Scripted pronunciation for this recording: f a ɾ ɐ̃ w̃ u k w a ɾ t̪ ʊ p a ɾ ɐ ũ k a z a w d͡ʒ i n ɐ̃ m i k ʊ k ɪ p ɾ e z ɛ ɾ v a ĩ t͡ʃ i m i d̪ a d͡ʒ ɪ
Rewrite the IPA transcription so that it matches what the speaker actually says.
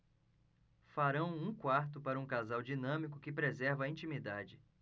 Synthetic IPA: f a ɾ ɐ̃ w̃ ũ k w a ɾ t̪ ʊ p a ɾ ɐ ũ k a z a w d͡ʒ i n ɐ̃ m i k ʊ k ɪ p ɾ e z ɛ ɾ v ɐ ĩ t͡ʃ i m i d̪ a d͡ʒ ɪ